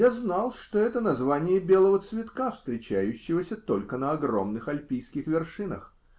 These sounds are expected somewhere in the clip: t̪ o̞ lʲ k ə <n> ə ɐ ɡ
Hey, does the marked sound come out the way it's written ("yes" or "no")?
yes